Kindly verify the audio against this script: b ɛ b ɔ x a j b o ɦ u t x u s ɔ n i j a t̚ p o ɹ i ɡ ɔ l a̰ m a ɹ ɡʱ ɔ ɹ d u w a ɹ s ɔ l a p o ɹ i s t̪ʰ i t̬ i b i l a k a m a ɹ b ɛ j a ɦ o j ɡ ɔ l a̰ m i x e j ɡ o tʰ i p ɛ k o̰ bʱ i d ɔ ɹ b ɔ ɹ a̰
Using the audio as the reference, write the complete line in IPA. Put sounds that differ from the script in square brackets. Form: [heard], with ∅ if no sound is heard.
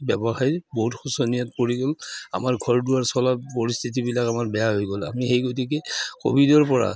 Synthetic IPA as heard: b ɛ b ɔ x a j b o ɦ u t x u s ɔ n i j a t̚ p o ɹ i ɡ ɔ l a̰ m a ɹ ɡʱ ɔ ɹ d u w a ɹ s ɔ l a p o ɹ i s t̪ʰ i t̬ i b i l a k a m a ɹ b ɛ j a ɦ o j ɡ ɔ l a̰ m i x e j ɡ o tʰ i [k] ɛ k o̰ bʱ i d ɔ ɹ [p] ɔ ɹ a̰